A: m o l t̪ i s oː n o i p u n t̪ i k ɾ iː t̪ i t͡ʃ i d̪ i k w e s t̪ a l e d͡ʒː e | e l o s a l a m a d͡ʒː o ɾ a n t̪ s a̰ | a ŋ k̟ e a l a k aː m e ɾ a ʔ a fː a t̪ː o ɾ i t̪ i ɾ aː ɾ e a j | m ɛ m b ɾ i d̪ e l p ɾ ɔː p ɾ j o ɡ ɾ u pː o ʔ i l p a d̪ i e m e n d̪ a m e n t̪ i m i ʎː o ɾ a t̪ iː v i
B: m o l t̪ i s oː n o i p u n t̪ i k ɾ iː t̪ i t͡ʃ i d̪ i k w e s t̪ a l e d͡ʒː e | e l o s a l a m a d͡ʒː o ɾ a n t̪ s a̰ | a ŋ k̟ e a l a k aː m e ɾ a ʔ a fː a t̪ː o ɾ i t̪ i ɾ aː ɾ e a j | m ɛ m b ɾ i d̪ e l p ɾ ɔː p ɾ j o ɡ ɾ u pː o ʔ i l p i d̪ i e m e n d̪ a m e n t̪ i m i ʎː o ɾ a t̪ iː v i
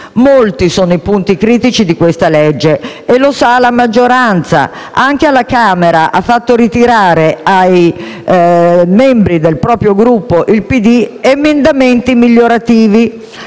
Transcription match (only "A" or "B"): B